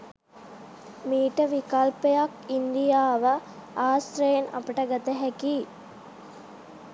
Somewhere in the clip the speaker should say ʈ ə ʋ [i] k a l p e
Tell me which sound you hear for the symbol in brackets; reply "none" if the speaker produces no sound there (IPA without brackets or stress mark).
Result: i